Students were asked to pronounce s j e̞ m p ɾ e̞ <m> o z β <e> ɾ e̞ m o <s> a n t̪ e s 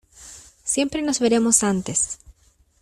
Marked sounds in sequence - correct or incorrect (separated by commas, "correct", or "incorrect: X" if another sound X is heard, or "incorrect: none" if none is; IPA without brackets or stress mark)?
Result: incorrect: n, correct, correct